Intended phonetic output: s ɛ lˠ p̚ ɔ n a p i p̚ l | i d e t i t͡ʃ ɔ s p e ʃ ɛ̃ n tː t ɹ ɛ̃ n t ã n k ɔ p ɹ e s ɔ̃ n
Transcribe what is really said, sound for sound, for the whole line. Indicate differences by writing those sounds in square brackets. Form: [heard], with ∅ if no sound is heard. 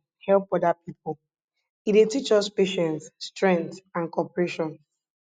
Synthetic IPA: [h] ɛ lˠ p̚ ɔ [d] a p i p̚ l | i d e t i t͡ʃ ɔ s p e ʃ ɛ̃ n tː t ɹ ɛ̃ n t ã n k ɔ p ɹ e [ʃ] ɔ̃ n